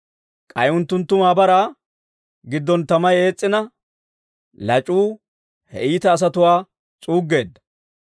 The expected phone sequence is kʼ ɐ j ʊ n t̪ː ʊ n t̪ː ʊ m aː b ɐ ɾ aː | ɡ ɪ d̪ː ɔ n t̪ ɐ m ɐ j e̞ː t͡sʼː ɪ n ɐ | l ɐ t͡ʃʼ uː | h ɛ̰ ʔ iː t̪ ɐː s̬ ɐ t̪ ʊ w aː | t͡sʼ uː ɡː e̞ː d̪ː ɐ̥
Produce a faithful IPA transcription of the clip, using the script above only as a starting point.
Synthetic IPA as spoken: kʼ ɐ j ʊ n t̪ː ʊ n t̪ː ʊ m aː b ɐ ɾ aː | ɡ ɪ d̪ː ɔ n t̪ ɐ m ɐ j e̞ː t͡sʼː ɪ n ɐ | l ɐ t͡ʃʼ uː | h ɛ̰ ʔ iː t̪ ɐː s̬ ɐ t̪ ʊ w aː | t͡sʼ uː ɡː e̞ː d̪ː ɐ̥